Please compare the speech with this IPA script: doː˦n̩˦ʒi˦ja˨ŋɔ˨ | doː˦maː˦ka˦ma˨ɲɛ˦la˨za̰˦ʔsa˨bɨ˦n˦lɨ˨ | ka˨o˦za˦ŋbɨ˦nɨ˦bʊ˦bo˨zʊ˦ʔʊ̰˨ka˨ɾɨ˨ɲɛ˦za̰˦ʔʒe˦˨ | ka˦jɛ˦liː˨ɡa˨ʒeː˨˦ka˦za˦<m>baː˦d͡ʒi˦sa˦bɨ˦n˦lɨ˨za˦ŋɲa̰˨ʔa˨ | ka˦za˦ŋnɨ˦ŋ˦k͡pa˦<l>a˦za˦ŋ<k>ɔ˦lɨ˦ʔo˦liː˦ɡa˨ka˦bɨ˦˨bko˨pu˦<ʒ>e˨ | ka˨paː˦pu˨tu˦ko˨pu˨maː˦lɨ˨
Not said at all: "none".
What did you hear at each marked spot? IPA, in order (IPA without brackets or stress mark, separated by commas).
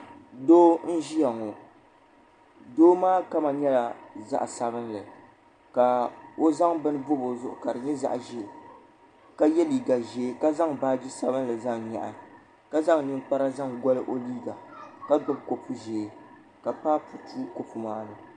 ŋ, ɾ, ɡ, ʒ